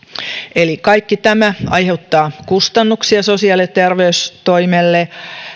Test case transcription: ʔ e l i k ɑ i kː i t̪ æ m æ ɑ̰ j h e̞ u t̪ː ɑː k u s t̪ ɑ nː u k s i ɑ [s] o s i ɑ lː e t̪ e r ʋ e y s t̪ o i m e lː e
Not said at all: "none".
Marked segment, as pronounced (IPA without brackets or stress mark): s